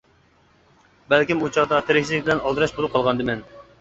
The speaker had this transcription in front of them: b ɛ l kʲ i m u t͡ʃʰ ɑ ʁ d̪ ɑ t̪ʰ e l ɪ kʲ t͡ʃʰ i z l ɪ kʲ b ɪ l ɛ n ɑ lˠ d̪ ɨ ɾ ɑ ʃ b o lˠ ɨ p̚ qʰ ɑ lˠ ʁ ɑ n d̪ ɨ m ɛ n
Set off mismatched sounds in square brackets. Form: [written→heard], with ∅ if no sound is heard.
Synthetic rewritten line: b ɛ l kʲ i m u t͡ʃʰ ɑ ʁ d̪ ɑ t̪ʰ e [l→ɾ] ɪ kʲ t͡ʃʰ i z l ɪ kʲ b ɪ l ɛ n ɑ lˠ d̪ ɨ ɾ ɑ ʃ b o lˠ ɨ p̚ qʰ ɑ lˠ ʁ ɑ n d̪ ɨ m ɛ n